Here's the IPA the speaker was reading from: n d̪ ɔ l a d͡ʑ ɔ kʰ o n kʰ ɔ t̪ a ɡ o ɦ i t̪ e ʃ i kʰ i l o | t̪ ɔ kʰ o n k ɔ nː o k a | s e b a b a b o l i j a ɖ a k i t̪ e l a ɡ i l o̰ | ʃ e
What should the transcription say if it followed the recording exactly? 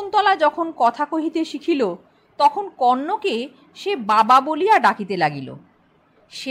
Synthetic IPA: n t̪ ɔ l a d͡ʑ ɔ kʰ o n k ɔ t̪ʰ a k o ɦ i t̪ e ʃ i kʰ i l o | t̪ ɔ kʰ o n k ɔ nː o k e | ʃ e b a b a b o l i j a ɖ a k i t̪ e l a ɡ i l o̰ | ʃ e